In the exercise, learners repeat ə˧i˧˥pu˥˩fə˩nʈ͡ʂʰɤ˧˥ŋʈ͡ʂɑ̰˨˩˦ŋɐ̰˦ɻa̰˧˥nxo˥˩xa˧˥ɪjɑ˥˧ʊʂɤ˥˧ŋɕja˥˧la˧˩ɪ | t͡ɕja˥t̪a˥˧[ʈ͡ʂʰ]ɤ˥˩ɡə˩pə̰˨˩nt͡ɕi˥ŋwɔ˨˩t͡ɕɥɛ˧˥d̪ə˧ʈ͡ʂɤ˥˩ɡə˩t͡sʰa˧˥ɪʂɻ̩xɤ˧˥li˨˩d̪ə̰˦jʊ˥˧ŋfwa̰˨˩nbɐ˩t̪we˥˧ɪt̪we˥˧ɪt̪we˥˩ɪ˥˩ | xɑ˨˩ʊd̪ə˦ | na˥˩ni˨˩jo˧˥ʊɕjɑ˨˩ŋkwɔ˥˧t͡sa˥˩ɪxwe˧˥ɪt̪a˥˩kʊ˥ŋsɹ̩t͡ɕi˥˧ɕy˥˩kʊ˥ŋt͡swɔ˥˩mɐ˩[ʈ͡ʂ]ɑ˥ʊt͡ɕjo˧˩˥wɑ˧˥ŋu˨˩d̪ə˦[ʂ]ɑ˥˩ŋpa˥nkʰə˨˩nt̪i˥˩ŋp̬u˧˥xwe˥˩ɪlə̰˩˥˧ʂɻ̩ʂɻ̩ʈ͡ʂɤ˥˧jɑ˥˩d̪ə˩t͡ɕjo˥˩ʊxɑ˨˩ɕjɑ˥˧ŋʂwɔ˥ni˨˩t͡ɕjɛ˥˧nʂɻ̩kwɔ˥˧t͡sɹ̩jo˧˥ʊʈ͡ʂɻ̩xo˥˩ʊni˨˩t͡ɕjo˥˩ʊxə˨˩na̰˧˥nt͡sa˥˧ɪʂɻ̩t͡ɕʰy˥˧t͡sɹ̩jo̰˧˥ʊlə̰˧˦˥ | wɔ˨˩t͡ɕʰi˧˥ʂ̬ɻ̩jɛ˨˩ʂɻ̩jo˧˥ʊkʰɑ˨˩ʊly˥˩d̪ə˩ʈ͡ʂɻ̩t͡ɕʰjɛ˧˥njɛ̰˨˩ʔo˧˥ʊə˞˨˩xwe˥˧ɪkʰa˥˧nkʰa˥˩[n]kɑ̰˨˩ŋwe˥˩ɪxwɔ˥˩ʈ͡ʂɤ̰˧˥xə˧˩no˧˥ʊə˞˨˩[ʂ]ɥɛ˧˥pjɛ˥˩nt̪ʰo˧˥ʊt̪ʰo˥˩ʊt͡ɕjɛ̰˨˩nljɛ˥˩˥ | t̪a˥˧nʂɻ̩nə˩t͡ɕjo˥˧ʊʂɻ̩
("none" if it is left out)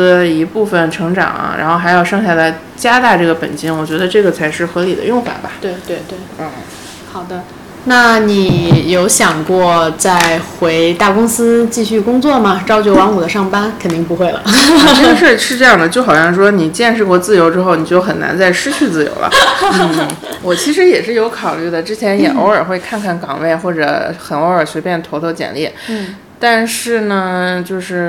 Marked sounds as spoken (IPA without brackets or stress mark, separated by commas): ʈ͡ʂ, ʈ͡ʂ, ʂ, n, ɕ